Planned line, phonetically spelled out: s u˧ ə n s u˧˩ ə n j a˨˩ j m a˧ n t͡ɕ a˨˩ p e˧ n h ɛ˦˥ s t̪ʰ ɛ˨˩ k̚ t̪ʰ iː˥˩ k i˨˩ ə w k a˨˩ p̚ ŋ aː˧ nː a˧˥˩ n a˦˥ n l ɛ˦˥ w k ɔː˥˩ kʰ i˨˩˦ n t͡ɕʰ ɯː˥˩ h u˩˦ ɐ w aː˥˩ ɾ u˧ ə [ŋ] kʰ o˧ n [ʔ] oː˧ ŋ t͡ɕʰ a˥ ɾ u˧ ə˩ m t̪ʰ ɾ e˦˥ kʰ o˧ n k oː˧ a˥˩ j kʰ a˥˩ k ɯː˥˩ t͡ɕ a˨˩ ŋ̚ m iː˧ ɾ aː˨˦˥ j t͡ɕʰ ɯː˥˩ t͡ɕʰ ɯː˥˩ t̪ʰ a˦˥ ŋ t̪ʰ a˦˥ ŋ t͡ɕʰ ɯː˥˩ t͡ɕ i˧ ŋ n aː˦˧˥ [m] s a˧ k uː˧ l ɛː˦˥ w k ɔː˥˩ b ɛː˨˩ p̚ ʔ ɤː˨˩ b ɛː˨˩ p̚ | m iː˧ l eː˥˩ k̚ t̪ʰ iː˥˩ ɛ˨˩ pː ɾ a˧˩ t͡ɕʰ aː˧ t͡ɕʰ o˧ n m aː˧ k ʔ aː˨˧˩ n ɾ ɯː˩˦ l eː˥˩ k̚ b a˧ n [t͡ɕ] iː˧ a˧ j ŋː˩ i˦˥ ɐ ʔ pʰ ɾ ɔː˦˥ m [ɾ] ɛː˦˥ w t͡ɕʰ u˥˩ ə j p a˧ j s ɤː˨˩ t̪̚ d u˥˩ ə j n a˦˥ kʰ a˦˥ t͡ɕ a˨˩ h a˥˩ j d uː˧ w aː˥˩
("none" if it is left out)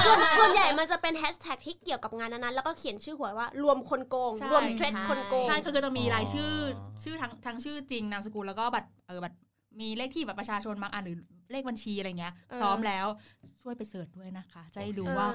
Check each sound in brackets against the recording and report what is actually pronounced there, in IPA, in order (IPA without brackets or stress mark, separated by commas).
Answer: m, k, m, t͡ɕʰ, l